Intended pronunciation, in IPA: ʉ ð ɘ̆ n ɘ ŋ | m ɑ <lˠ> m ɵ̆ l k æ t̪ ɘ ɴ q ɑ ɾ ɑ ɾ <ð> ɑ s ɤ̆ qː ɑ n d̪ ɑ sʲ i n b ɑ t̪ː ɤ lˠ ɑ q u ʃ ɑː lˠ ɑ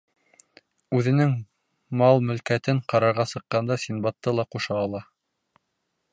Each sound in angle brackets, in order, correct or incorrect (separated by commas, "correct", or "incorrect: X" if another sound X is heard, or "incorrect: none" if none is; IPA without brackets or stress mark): correct, incorrect: ʁ